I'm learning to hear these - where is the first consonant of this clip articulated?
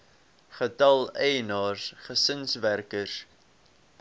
uvula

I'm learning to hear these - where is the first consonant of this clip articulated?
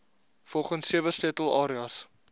lips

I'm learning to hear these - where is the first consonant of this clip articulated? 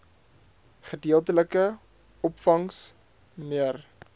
uvula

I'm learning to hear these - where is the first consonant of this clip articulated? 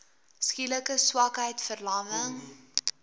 tongue tip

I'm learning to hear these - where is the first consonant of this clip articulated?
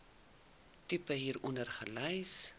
tongue tip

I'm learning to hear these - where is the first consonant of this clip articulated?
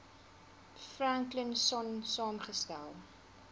lips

